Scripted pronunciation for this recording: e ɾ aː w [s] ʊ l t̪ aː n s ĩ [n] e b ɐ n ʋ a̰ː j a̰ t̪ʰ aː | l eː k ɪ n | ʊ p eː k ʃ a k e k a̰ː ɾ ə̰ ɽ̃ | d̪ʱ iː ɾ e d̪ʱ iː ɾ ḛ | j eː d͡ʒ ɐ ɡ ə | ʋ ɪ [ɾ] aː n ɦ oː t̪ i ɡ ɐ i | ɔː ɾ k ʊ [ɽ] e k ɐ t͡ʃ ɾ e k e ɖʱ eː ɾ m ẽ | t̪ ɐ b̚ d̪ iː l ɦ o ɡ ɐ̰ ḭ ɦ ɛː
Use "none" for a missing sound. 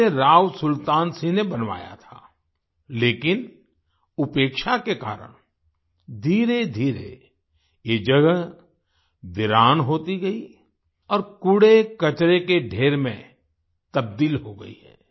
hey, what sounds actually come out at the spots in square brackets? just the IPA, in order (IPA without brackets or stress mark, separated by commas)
s, n, ɾ, ɽ